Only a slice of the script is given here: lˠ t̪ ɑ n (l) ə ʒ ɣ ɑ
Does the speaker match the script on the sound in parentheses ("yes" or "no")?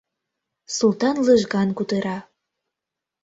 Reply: yes